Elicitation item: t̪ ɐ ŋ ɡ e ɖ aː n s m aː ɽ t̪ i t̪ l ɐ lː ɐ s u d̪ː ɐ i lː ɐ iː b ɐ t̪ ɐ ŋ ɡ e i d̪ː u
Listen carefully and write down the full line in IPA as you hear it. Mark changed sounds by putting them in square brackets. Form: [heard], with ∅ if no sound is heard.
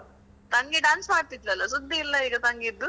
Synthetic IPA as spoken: t̪ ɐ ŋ ɡ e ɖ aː n s m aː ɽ t̪ i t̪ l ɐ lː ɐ s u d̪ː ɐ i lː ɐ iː [ɡ] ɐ t̪ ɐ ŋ ɡ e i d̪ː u